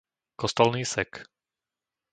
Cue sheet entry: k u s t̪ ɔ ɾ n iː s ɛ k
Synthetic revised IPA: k ɔ s t̪ ɔ l n iː s ɛ k